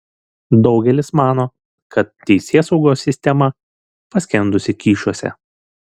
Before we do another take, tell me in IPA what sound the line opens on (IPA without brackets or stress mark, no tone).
d̪